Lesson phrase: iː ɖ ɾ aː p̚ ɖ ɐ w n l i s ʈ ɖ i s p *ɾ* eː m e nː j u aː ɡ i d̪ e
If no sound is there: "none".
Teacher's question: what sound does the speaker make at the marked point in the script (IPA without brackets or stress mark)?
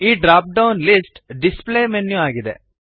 l